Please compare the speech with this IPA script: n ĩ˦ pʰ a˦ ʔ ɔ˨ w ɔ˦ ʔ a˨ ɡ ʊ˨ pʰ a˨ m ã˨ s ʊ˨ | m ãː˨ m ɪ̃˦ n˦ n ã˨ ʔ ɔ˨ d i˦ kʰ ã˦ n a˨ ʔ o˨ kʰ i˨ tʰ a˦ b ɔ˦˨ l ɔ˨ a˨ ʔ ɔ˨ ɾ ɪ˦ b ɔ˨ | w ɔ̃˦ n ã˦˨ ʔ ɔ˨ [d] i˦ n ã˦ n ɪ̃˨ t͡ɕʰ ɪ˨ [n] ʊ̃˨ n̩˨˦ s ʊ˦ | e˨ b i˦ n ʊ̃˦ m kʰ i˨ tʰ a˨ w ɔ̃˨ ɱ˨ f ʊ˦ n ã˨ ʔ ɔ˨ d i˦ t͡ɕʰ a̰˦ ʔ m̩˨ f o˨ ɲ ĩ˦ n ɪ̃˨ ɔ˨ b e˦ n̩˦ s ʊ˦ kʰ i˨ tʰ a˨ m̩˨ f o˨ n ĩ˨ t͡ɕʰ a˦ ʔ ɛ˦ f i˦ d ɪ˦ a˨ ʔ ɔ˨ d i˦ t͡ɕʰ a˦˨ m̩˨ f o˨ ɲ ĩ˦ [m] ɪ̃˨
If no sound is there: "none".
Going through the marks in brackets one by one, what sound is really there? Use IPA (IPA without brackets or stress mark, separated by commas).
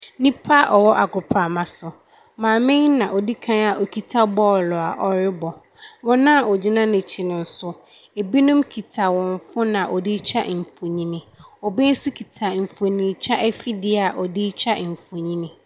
d͡ʑ, n, n